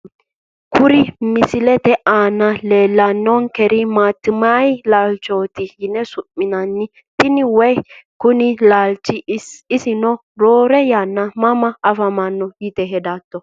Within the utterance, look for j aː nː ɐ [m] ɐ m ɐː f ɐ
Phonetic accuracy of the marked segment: correct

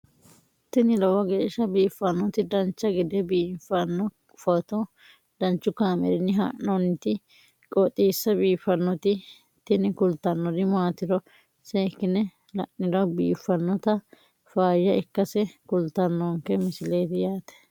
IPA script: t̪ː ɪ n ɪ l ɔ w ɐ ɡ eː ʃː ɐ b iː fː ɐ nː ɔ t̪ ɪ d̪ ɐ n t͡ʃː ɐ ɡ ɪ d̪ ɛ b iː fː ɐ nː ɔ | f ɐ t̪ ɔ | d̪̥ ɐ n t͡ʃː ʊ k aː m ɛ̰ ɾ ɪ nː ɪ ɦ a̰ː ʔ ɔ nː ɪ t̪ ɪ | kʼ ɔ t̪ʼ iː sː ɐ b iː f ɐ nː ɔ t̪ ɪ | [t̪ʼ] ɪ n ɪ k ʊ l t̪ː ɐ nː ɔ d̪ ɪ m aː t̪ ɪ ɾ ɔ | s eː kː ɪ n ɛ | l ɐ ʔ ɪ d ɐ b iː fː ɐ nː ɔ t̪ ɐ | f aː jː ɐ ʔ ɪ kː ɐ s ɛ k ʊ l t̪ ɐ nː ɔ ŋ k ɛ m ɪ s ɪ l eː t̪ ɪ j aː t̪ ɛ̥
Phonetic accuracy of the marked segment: incorrect: t̪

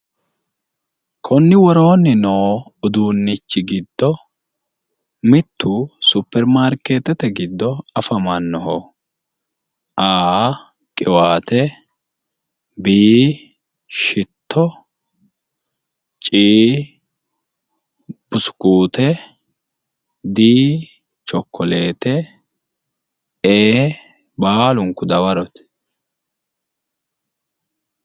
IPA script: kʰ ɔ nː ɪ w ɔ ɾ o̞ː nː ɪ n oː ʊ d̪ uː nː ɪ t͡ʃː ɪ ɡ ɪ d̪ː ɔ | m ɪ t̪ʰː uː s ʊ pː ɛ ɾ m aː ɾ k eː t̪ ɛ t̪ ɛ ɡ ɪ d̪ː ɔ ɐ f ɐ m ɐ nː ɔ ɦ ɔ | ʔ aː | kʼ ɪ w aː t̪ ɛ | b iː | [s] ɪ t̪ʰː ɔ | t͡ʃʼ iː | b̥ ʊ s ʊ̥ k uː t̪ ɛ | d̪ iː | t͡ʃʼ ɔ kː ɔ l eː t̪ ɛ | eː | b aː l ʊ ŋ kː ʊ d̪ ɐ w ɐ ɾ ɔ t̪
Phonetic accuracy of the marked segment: incorrect: ʃ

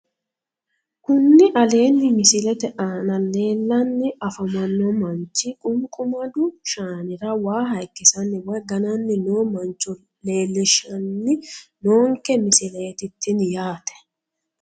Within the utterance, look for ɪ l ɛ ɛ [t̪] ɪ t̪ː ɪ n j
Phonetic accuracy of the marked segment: correct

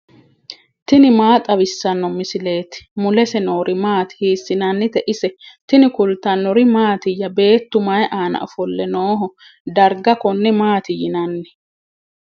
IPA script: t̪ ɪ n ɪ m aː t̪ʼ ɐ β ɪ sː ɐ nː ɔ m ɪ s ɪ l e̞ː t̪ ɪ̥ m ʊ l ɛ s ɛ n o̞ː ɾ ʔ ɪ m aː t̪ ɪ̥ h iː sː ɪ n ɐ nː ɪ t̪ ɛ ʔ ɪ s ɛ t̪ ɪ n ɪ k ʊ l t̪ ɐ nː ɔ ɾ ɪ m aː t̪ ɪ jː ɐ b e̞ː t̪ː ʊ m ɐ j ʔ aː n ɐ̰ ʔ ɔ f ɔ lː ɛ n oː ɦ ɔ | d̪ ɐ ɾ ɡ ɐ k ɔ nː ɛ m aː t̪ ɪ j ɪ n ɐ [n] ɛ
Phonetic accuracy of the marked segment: incorrect: nː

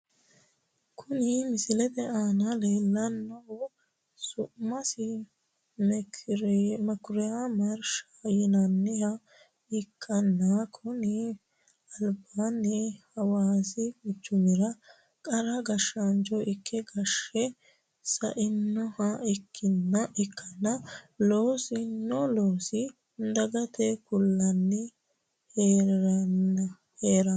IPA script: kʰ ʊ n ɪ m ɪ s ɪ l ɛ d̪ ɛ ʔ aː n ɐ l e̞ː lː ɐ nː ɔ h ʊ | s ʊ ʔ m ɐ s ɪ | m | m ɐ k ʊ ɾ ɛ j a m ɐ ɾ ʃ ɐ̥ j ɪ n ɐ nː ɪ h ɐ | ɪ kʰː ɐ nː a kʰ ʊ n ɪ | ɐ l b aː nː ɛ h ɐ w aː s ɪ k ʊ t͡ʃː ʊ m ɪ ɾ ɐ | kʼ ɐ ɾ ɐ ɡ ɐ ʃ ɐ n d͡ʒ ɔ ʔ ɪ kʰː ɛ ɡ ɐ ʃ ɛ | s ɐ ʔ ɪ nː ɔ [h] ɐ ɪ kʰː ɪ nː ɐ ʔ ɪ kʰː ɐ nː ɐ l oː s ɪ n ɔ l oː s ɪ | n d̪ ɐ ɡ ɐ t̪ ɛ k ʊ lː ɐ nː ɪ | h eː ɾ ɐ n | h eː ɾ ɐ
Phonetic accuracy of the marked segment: correct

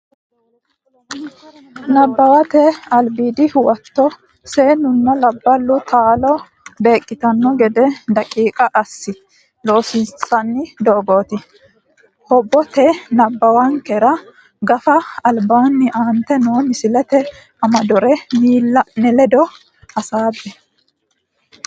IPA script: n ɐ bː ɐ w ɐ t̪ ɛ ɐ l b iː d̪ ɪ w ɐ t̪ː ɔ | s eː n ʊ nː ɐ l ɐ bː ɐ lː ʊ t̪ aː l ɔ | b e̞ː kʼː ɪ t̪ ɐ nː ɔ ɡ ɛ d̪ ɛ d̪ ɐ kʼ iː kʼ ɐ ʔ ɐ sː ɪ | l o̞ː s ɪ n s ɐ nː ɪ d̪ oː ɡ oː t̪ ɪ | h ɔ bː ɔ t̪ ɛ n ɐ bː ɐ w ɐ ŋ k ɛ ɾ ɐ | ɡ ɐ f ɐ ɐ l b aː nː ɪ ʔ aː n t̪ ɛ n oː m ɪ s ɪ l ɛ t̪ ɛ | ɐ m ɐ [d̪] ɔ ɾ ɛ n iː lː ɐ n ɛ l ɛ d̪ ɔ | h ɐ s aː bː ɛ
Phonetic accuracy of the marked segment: correct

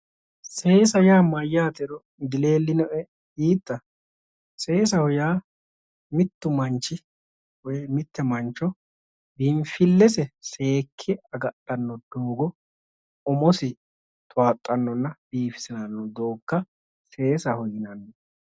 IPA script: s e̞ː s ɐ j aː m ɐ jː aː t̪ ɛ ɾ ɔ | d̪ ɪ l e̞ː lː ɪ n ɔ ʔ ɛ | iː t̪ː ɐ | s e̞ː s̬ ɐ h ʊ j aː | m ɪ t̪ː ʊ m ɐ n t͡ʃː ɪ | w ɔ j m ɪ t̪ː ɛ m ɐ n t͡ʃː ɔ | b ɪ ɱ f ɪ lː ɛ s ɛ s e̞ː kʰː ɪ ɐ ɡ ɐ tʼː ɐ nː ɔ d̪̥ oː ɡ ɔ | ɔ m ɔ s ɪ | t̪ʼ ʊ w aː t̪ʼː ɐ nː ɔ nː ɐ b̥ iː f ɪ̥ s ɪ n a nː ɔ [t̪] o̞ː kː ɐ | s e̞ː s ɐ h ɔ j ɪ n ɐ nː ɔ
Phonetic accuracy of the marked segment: incorrect: d̪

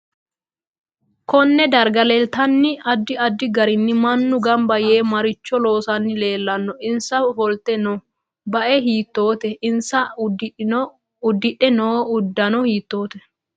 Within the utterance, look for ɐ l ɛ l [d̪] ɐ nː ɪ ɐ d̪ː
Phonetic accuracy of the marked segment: incorrect: t̪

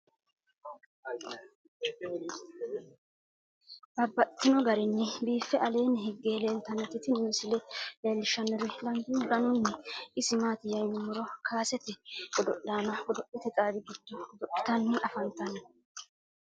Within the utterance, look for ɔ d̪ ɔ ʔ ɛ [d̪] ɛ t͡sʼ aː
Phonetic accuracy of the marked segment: incorrect: t̪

